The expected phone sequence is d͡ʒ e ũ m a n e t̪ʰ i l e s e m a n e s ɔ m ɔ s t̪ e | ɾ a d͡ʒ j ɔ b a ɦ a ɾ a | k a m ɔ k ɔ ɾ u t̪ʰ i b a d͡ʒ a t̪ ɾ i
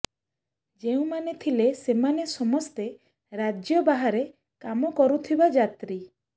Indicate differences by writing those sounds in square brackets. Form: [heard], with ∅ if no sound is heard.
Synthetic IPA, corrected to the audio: d͡ʒ e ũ m a n e t̪ʰ i l e s e m a n e s ɔ m ɔ s t̪ e | ɾ a d͡ʒ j ɔ b a ɦ a ɾ [e] | k a m ɔ k ɔ ɾ u t̪ʰ i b a d͡ʒ a t̪ ɾ i